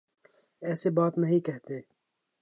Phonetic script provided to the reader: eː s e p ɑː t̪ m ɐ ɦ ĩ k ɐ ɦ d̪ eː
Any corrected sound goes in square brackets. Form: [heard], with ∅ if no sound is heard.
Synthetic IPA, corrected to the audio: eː s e [b] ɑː t̪ [n] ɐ ɦ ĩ k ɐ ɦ [t̪] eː